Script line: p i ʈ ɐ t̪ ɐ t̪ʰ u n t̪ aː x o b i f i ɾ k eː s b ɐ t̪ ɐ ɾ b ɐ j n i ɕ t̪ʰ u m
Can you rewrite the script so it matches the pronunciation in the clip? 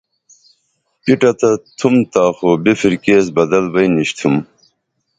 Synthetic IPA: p i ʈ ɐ t̪ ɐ t̪ʰ u m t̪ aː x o b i f i ɾ k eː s b ɐ d̪ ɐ l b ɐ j n i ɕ t̪ʰ u m